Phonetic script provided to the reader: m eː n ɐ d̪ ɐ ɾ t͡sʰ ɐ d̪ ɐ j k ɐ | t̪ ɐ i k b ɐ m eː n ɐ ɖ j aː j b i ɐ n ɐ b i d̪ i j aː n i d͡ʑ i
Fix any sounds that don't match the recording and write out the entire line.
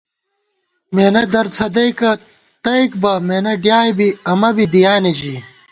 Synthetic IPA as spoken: m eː n ɐ d̪ ɐ ɾ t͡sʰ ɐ d̪ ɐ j k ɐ | t̪ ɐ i k b ɐ m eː n ɐ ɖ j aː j b i ɐ m ɐ b i d̪ i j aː n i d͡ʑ i